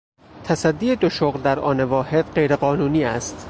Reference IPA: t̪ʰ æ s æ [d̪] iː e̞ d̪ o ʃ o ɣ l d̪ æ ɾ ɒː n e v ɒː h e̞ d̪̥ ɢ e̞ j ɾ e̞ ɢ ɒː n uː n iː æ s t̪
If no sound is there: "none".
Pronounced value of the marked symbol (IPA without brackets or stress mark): d̪ː